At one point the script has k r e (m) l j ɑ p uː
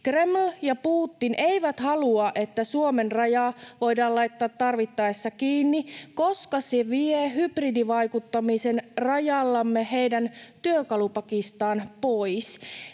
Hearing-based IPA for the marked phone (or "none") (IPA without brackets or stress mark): m